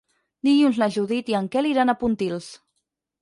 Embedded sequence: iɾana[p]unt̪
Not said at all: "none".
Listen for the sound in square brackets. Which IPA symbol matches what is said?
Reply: p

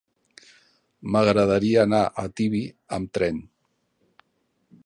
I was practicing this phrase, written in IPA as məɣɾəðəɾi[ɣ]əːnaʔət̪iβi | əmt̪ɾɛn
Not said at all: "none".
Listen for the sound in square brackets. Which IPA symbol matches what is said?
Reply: none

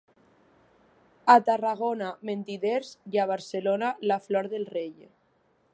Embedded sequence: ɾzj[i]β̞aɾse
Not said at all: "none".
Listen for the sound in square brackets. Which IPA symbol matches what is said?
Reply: a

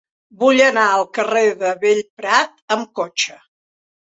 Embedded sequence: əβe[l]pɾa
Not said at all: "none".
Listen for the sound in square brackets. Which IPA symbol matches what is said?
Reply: ʎ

